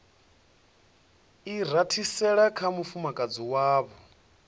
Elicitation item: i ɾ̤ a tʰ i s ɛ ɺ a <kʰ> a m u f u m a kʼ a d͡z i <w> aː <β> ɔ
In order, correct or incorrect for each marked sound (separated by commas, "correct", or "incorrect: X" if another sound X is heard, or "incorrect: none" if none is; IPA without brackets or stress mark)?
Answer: correct, correct, correct